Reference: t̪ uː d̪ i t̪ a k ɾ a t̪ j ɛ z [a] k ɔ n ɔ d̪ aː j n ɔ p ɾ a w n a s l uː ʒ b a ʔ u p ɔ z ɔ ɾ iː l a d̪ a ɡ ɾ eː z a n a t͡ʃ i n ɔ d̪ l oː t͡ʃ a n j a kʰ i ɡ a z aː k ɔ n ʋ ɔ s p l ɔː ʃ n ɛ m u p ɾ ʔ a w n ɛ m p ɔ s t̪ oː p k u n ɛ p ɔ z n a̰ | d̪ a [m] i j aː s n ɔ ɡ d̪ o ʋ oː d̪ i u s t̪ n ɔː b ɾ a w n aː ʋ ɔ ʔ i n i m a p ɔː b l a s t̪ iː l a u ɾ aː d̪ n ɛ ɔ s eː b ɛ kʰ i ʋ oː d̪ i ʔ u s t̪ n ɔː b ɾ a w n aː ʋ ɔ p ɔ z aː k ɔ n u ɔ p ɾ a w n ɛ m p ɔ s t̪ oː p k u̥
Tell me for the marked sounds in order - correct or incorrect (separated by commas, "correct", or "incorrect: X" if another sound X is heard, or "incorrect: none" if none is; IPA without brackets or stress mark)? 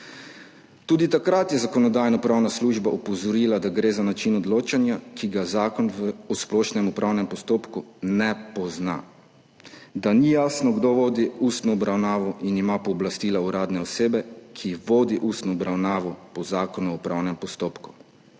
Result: correct, incorrect: n